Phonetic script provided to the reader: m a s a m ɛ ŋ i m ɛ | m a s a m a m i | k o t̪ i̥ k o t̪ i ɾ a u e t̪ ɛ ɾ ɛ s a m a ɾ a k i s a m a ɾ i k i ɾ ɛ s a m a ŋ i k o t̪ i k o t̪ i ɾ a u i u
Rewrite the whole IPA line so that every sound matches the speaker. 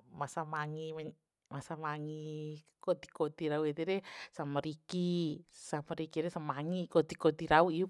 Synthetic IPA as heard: m a s a m a ŋ i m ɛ | m a s a m a ŋ i | k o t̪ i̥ k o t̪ i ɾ a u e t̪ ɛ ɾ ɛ s a m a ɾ i k i s a m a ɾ i k i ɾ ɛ s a m a ŋ i k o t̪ i k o t̪ i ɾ a u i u